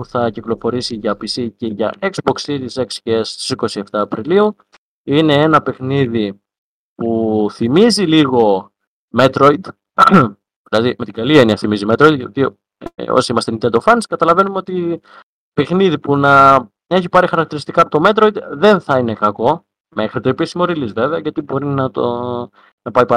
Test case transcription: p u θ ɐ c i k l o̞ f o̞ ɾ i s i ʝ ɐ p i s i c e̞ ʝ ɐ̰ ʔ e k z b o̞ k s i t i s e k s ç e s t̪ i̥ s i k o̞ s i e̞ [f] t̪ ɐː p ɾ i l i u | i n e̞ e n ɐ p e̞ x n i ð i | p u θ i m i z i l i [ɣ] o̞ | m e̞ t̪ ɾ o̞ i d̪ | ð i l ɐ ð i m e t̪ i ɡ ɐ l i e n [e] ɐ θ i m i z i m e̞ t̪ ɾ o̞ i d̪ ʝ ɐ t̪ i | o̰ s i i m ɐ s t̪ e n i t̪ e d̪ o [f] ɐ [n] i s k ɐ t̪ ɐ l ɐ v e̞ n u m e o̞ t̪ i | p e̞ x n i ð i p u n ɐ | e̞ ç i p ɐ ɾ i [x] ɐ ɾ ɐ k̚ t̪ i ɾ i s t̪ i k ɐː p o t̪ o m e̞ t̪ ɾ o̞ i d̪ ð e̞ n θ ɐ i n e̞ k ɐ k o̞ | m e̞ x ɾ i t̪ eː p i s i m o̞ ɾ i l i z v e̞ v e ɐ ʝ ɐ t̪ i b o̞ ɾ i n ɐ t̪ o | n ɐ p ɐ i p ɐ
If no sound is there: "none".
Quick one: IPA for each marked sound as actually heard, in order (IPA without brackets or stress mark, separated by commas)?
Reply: f, ɣ, i, f, n, x